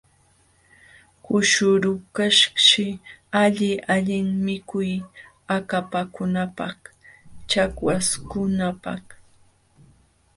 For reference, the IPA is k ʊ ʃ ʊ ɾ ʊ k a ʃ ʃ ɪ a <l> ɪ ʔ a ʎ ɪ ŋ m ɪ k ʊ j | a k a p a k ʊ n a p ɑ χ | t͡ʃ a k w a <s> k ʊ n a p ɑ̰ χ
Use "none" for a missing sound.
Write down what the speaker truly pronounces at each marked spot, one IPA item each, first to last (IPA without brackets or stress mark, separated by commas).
ʎ, s